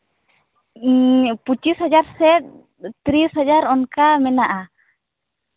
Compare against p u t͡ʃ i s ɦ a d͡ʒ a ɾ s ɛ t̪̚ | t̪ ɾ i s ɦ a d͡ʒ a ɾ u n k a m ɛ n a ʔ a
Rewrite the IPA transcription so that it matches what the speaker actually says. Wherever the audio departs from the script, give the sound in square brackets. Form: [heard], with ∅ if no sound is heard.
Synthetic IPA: p u t͡ʃ i s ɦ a d͡ʒ a ɾ s ɛ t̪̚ | t̪ ɾ i s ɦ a d͡ʒ a ɾ [ɔ] n k a m ɛ n a ʔ a